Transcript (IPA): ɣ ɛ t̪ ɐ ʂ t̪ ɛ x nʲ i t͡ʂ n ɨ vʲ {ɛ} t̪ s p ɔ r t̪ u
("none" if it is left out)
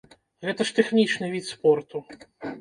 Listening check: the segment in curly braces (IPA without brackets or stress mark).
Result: i